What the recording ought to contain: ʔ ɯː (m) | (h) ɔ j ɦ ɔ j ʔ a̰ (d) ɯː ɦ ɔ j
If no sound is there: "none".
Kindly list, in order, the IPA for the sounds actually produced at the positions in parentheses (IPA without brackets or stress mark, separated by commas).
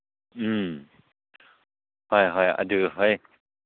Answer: m, h, d